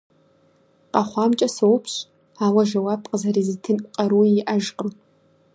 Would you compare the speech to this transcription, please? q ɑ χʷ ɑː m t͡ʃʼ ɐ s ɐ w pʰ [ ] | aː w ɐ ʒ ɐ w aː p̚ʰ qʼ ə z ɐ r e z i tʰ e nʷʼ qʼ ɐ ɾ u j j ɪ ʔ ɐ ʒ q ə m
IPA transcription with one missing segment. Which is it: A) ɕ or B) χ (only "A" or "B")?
A